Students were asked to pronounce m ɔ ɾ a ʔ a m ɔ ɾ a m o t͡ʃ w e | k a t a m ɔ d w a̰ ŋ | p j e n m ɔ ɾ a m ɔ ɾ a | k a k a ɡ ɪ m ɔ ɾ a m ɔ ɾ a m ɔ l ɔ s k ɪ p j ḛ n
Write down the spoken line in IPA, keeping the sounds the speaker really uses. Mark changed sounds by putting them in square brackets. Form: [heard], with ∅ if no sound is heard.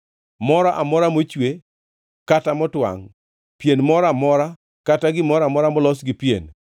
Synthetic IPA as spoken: m ɔ ɾ a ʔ a m ɔ ɾ a m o t͡ʃ w e | k a t a m ɔ [t] w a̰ ŋ | p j e n m ɔ ɾ a m ɔ ɾ a | k a [t] a ɡ ɪ m ɔ ɾ a m ɔ ɾ a m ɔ l ɔ s [ɡ] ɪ p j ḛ n